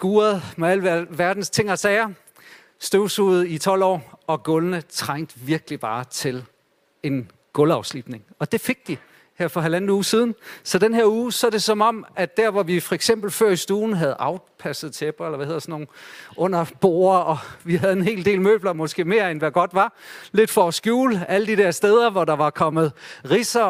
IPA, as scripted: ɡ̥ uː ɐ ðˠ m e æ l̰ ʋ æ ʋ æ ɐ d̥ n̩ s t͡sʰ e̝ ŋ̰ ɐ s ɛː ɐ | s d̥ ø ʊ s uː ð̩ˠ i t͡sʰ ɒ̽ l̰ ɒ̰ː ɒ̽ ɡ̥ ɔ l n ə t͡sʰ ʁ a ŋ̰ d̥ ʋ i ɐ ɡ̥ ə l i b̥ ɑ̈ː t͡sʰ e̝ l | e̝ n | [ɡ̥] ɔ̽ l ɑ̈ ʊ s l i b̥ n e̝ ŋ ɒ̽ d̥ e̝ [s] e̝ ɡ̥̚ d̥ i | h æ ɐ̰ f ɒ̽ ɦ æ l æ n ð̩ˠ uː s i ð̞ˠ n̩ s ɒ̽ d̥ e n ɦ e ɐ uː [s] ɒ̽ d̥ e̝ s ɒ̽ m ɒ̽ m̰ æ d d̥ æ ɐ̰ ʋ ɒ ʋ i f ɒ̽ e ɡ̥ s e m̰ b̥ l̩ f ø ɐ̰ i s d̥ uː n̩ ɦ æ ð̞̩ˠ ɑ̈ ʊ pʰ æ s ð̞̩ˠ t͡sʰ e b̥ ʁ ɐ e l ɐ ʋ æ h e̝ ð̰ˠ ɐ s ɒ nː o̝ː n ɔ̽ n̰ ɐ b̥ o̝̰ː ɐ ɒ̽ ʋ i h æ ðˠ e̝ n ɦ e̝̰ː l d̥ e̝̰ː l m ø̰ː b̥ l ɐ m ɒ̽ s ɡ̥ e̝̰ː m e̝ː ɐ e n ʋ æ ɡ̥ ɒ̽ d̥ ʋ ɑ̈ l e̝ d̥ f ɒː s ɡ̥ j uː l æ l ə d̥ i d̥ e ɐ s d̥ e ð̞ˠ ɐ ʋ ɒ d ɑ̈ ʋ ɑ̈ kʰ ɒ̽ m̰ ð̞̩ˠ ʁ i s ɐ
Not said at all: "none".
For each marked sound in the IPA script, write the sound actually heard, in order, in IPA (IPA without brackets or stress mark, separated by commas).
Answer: ɡ̥, f, s